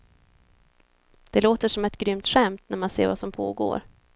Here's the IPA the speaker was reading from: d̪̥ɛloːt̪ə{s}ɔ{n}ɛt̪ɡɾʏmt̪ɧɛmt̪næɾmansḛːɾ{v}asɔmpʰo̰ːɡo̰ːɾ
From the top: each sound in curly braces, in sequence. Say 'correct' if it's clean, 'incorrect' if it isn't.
incorrect: ʂ, incorrect: m, correct

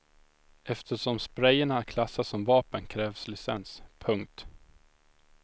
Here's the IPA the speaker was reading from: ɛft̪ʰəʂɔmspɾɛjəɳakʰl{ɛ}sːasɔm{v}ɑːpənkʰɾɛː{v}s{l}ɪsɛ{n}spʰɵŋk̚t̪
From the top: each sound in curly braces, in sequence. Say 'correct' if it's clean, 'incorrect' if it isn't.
incorrect: a, correct, correct, correct, correct

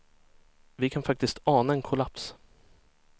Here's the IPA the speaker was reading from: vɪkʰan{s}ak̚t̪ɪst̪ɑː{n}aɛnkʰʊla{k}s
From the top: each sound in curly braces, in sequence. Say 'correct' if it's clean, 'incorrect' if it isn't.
incorrect: f, correct, incorrect: p

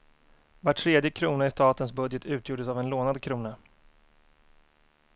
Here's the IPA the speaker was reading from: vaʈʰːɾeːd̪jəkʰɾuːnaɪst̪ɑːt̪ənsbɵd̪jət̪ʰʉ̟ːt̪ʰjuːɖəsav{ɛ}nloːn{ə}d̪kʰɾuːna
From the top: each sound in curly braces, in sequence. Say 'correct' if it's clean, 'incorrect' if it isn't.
correct, incorrect: a

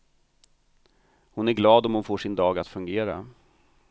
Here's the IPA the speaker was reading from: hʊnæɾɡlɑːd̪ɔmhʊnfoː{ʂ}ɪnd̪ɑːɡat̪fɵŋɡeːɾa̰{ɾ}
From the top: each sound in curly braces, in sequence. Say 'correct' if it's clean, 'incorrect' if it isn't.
correct, incorrect: none

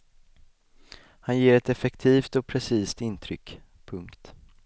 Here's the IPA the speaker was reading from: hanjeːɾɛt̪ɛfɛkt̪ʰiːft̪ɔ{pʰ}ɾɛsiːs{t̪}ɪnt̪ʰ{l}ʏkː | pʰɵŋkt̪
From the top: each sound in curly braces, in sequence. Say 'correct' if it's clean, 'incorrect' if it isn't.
correct, correct, incorrect: ɾ

